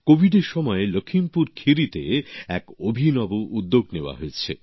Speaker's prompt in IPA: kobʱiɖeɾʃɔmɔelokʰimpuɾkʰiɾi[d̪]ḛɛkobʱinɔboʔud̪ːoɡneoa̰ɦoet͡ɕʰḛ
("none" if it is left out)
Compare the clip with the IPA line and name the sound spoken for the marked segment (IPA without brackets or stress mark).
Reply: t̪